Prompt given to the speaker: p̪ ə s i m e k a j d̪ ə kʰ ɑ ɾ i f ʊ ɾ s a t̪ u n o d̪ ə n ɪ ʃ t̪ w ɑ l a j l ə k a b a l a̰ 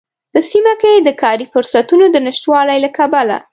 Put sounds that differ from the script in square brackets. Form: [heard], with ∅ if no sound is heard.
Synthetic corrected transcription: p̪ ə s i m [a] k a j d̪ ə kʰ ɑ ɾ i f ʊ ɾ s a t̪ u n o d̪ ə n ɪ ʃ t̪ w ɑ l a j l [a] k a b a l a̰